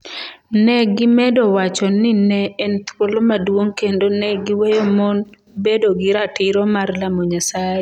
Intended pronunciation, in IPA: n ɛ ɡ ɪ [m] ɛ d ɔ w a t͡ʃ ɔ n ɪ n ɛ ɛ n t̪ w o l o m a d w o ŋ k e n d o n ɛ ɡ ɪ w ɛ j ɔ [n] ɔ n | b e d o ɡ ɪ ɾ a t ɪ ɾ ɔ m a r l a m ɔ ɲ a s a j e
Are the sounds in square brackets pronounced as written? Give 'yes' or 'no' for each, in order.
yes, no

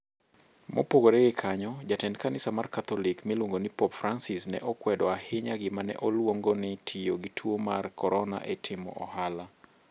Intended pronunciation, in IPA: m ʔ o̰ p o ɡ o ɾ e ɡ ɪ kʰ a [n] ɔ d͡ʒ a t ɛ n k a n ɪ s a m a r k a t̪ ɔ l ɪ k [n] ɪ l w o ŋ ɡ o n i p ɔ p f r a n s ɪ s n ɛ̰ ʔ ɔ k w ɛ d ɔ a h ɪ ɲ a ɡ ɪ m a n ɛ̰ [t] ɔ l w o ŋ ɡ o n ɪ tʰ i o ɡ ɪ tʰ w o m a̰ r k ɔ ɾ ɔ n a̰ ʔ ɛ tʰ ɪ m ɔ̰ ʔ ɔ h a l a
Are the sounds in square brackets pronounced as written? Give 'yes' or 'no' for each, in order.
no, no, no

